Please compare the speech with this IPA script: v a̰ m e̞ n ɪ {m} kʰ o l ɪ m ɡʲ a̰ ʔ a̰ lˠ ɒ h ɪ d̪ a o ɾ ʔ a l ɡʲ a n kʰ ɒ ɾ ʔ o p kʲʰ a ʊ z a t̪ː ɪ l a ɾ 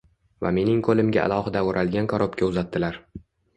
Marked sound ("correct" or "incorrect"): incorrect